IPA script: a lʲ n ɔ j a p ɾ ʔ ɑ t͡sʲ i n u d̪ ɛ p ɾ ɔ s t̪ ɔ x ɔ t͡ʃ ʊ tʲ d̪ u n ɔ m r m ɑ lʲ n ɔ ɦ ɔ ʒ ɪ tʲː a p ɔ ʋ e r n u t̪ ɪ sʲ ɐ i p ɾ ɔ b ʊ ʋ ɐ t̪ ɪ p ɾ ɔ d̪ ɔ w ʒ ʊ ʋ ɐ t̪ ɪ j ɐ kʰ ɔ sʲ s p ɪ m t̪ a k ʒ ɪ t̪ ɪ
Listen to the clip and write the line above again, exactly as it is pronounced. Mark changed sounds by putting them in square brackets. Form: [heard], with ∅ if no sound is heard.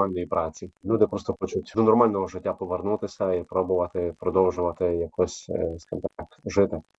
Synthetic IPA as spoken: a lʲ n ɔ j [i] p ɾ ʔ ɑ t͡sʲ i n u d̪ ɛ p ɾ ɔ s t̪ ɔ x ɔ t͡ʃ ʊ tʲ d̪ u n ɔ [∅] r m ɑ lʲ n ɔ ɦ ɔ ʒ ɪ tʲː a p ɔ ʋ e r n u t̪ ɪ sʲ ɐ i p ɾ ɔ b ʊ ʋ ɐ t̪ ɪ p ɾ ɔ d̪ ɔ w ʒ ʊ ʋ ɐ t̪ ɪ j ɐ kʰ ɔ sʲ s [k] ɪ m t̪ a k ʒ ɪ t̪ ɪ